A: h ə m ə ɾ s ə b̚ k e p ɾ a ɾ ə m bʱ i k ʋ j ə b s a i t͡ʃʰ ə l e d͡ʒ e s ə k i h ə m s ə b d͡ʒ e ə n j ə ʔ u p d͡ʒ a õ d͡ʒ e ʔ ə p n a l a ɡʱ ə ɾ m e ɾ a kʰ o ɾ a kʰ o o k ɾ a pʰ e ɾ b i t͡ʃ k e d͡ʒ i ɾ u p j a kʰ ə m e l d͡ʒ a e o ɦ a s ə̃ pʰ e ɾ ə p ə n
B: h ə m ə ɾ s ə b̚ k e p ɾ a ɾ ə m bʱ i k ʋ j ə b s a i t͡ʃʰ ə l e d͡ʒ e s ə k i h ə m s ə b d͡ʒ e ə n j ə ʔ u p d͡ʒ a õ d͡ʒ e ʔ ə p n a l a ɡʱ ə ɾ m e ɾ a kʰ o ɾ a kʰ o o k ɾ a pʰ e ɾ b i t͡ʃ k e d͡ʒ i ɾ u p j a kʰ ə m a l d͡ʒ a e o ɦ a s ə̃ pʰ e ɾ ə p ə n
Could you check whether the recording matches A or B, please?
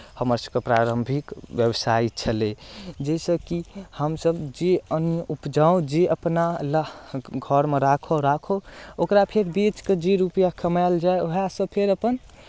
B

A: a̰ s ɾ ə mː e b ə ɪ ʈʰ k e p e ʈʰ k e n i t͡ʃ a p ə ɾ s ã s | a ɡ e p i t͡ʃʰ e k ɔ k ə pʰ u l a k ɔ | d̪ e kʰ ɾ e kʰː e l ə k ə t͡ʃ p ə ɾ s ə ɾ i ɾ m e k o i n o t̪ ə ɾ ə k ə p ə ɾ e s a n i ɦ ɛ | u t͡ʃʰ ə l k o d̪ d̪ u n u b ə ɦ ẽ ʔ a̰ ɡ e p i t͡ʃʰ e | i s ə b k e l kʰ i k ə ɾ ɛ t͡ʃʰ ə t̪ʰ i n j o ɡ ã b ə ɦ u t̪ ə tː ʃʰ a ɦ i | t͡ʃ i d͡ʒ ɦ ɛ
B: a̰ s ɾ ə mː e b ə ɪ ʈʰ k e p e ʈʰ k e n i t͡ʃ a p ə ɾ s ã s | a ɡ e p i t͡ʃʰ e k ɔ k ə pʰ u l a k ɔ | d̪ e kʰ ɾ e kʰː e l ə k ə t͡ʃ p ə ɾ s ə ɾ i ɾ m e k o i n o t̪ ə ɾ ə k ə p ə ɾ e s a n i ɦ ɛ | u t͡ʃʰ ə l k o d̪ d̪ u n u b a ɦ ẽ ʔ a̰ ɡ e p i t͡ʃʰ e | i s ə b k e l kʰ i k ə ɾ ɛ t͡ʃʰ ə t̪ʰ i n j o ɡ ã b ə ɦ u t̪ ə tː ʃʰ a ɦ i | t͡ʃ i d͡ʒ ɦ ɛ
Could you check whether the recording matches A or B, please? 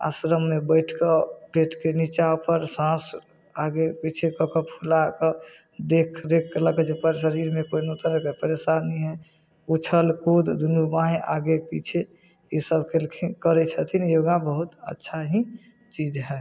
B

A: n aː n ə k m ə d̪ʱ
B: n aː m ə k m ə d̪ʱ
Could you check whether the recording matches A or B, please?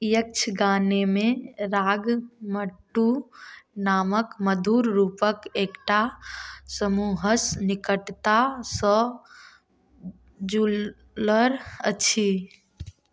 B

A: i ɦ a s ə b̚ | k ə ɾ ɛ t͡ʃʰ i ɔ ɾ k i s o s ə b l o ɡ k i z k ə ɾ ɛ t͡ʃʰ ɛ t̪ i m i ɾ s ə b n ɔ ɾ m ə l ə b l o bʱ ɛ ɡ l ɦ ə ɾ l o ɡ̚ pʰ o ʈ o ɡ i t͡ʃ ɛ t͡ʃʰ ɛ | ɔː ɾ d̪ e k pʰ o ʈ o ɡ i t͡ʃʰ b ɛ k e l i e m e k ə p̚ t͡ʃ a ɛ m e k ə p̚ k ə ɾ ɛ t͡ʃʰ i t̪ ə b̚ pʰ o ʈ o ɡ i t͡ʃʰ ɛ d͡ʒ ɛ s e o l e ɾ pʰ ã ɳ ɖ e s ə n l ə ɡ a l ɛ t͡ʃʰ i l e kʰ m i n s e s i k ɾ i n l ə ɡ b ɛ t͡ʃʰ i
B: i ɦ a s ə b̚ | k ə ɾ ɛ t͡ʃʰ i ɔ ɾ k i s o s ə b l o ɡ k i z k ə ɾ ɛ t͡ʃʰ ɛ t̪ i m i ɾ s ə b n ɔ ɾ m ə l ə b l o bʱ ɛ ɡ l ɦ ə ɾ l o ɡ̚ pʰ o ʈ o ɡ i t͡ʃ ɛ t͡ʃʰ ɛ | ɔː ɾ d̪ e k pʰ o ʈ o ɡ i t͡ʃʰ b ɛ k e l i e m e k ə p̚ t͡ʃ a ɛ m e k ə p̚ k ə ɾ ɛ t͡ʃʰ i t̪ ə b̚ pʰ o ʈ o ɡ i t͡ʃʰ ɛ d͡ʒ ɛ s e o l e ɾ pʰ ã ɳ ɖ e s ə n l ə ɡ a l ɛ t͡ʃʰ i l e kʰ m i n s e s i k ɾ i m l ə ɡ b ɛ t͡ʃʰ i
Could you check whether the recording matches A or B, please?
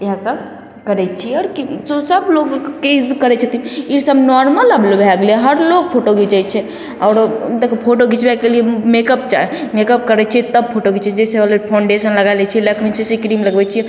B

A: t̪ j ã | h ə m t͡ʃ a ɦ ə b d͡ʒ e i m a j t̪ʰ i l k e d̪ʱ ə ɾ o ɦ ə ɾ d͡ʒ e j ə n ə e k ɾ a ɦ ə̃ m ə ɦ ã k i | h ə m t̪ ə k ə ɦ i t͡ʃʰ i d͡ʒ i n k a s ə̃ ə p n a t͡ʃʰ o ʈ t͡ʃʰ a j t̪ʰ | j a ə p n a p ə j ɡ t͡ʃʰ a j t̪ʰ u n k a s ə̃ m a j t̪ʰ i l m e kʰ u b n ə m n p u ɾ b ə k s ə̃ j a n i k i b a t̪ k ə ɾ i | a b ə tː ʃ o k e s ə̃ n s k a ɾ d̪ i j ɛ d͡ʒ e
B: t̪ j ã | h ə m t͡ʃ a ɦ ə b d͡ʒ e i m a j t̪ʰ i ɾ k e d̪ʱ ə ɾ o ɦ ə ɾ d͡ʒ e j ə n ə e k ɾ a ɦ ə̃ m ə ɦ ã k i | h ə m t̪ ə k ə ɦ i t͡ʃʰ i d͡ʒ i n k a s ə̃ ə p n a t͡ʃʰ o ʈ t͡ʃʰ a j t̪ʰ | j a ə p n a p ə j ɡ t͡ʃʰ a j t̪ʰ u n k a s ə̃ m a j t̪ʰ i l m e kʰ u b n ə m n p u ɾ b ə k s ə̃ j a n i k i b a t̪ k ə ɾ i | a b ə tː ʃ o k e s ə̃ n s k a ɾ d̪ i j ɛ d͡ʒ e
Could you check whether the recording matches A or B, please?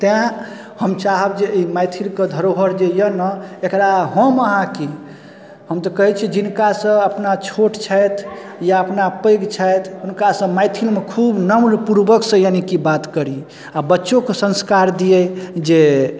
A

